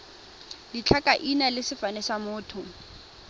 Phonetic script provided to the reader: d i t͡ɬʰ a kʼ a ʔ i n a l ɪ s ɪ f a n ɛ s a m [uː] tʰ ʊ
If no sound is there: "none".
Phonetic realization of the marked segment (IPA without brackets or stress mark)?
ʊː